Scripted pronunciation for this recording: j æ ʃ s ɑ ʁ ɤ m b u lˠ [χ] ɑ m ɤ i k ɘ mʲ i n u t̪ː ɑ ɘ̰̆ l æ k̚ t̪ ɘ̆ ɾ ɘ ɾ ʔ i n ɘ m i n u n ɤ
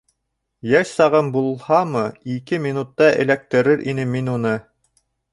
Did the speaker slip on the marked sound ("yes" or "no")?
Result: yes